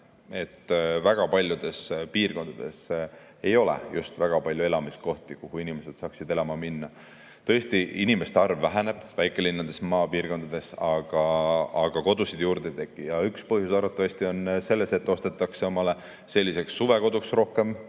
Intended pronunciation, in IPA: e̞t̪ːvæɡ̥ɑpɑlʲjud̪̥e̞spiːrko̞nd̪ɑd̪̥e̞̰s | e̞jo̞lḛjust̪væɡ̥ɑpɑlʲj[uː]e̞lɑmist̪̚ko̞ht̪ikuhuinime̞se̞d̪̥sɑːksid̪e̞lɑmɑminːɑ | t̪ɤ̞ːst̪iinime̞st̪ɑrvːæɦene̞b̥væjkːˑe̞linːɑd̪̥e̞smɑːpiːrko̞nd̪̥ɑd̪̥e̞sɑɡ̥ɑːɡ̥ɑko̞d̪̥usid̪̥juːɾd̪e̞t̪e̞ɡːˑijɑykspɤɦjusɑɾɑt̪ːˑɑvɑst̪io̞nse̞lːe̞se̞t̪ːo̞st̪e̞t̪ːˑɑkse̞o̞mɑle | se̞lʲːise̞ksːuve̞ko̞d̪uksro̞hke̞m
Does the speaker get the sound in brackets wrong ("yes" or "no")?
yes